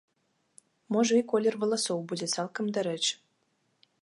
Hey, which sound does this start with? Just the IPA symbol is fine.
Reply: m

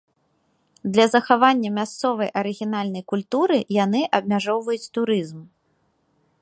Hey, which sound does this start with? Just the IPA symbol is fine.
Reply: d̪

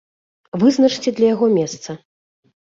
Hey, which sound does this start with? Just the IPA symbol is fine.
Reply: v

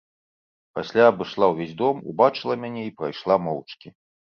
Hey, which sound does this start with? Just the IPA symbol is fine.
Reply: p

